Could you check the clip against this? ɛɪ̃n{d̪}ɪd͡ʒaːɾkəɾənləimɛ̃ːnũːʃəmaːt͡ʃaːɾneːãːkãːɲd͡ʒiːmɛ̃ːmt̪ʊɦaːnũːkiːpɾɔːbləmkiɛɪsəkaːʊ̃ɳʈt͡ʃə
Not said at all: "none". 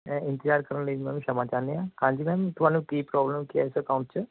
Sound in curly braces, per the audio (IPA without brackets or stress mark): t̪